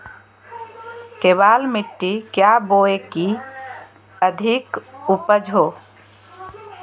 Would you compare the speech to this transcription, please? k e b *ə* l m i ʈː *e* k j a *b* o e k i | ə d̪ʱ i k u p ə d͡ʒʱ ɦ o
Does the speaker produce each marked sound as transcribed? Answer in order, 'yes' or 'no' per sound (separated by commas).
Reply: no, no, yes